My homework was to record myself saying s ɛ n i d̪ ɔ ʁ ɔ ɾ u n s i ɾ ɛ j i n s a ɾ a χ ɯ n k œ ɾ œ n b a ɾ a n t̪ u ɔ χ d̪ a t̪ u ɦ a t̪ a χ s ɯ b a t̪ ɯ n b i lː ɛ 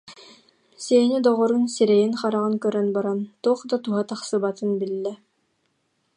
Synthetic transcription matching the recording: s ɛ n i d̪ ɔ ʁ ɔ ɾ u n s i ɾ ɛ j i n χ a ɾ a ʁ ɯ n k œ ɾ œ n b a ɾ a n t̪ u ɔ χ d̪ a t̪ u ɦ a t̪ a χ s ɯ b a t̪ ɯ n b i lː ɛ